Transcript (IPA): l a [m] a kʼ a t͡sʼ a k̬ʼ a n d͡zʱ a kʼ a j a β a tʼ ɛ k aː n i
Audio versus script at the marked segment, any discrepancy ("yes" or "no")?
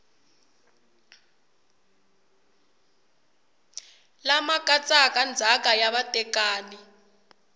no